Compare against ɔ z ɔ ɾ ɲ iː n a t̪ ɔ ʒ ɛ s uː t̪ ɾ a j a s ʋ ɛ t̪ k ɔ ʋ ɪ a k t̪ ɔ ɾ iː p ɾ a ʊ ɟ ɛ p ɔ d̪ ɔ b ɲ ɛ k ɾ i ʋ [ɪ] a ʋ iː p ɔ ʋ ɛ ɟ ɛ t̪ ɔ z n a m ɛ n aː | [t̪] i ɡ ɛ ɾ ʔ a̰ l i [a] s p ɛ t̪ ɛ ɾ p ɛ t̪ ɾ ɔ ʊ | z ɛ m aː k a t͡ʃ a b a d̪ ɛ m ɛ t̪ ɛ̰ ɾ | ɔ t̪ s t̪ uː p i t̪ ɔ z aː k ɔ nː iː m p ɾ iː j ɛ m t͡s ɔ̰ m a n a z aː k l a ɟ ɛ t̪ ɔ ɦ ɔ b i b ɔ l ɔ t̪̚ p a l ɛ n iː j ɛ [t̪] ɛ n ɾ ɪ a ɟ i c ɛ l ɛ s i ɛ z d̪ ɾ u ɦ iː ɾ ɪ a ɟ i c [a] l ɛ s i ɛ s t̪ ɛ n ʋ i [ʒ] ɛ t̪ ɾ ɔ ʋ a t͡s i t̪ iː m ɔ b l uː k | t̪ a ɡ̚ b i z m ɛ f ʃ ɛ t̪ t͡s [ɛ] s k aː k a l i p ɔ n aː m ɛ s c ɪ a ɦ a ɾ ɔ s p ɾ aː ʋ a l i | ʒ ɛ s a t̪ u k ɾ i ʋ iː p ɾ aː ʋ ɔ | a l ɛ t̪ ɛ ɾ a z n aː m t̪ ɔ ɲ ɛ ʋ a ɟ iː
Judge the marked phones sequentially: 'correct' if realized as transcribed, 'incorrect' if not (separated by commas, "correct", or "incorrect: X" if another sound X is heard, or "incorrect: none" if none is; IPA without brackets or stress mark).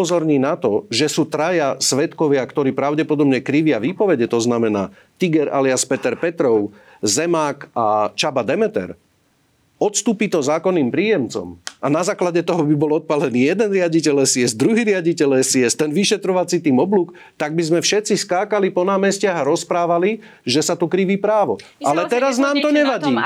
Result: correct, correct, correct, incorrect: d̪, incorrect: ɛ, incorrect: ʃ, incorrect: i